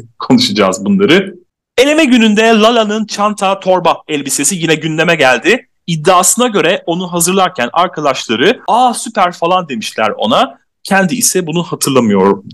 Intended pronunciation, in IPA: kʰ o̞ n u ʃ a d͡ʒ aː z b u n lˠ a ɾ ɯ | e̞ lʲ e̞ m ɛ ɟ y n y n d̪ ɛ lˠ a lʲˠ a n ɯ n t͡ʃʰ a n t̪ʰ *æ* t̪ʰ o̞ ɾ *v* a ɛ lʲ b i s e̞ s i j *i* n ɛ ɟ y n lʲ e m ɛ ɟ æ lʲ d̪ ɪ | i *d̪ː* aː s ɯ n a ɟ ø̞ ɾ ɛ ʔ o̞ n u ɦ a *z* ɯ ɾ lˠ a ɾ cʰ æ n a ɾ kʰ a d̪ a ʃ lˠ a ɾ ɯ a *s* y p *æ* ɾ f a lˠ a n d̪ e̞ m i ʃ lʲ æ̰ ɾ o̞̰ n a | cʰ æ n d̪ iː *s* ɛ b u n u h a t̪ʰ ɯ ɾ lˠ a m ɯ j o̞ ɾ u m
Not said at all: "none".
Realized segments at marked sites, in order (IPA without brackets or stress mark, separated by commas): a, b, i, d̪ː, z, s, æ, s